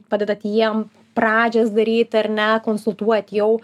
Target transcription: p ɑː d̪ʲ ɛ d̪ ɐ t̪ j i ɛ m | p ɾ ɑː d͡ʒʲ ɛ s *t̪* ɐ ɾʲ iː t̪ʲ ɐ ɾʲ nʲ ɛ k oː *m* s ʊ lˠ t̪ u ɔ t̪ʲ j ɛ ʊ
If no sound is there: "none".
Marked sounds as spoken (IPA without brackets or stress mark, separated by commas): d̪, n